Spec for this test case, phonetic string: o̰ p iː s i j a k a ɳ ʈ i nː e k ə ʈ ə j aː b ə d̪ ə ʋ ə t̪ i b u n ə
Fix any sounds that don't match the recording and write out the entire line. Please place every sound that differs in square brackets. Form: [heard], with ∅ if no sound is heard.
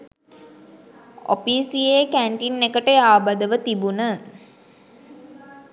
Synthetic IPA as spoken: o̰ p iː s i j [e] k [æ] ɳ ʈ i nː e k ə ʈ ə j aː b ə d̪ ə ʋ ə t̪ i b u n ə